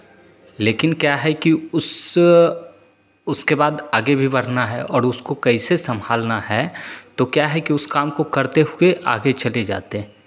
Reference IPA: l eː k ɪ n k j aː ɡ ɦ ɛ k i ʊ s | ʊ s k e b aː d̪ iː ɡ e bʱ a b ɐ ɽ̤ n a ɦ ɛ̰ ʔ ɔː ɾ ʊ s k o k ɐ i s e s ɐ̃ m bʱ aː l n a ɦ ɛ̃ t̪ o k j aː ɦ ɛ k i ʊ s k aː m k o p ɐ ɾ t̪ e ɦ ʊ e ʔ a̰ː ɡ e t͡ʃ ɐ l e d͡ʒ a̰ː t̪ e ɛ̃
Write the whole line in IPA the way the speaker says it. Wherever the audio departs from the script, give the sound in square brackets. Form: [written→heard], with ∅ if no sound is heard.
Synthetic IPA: l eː k ɪ n k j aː [ɡ→∅] ɦ ɛ k i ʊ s | ʊ s k e b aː d̪ [iː→aː] ɡ e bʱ [a→i] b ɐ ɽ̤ n a ɦ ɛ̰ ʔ ɔː ɾ ʊ s k o k ɐ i s e s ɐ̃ m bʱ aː l n a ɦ [ɛ̃→ɛ] t̪ o k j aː ɦ ɛ k i ʊ s k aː m k o [p→k] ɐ ɾ t̪ e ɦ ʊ e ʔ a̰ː ɡ e t͡ʃ ɐ l e d͡ʒ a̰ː t̪ e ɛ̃